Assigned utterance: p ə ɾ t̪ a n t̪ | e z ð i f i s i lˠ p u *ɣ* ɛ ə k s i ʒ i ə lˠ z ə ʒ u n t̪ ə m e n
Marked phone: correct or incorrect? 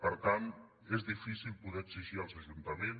incorrect